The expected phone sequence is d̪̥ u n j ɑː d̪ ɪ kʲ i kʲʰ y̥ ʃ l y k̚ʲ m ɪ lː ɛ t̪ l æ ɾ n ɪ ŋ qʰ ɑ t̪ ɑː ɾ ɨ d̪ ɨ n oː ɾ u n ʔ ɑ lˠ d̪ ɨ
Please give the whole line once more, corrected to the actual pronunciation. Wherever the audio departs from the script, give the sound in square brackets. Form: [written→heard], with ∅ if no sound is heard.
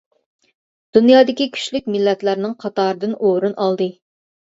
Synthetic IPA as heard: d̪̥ u n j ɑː d̪ ɪ kʲ i kʲʰ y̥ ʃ l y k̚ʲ m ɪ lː ɛ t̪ l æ ɾ n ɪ ŋ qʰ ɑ t̪ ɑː ɾ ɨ d̪ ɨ n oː ɾ u n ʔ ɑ lˠ d̪ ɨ